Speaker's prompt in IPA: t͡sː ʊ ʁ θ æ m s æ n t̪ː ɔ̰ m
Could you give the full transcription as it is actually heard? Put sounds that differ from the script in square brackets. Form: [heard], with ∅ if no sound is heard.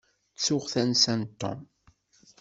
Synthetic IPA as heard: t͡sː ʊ ʁ θ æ [n] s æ n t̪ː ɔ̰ m